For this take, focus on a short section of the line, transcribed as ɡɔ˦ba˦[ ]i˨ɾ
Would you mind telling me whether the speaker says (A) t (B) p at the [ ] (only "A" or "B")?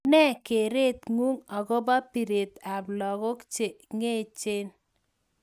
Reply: B